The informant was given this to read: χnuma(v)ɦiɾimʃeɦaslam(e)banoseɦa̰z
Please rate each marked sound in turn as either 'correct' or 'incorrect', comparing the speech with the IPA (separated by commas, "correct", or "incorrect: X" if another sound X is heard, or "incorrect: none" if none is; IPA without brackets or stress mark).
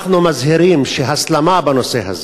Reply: incorrect: z, incorrect: a